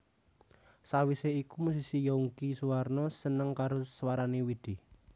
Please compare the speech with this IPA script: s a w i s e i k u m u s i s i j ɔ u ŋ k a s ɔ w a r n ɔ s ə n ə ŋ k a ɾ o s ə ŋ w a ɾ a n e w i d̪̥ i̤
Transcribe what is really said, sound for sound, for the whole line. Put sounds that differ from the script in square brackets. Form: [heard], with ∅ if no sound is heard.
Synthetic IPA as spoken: s a w i s e i k u m u s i s i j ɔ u ŋ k [i] s [u] w a r n ɔ s ə n ə ŋ k a ɾ o s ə [∅] w a ɾ a n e w i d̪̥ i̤